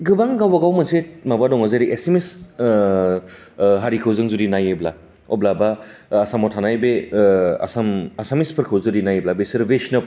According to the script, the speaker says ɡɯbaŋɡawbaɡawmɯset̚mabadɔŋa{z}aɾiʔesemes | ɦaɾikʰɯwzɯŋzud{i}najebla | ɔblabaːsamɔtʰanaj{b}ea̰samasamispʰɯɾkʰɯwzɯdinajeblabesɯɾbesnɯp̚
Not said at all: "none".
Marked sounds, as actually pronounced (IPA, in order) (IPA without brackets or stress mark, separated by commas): z, i, b